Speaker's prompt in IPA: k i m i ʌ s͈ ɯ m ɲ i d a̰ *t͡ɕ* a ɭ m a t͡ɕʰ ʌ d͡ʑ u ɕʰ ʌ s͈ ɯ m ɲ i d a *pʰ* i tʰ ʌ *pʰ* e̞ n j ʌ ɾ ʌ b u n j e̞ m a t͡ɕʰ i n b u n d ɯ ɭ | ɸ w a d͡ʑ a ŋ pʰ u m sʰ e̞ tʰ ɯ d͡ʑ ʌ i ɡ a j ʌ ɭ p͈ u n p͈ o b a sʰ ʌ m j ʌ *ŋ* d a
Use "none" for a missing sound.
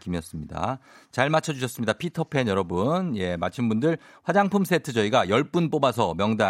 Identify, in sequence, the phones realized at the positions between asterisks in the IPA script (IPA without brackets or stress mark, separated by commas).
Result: t͡ɕ, pʰ, pʰ, ŋ